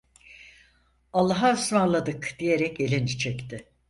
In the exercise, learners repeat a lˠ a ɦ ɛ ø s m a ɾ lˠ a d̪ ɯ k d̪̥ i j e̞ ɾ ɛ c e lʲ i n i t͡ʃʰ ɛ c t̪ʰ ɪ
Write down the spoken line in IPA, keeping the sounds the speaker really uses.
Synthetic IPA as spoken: a lˠː a ɦ a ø s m a ɾ lˠ a d̪ ɯ k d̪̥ i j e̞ ɾ ɛ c e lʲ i n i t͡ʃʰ ɛ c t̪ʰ ɪ